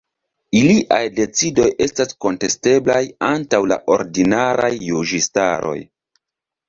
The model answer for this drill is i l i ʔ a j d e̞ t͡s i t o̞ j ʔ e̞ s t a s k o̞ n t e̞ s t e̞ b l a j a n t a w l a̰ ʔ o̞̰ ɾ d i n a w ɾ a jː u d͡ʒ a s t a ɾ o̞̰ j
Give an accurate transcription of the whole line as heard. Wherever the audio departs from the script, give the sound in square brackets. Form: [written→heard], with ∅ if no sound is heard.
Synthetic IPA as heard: i l i ʔ a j d e̞ t͡s i [t→d] o̞ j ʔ e̞ s t a s k o̞ n t e̞ s t e̞ b l a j a n t a w l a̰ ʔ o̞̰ ɾ d i n a [w→∅] ɾ a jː u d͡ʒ [a→i] s t a ɾ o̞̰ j